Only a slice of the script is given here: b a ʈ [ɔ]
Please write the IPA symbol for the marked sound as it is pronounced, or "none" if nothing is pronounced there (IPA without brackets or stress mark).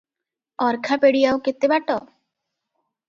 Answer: ɔ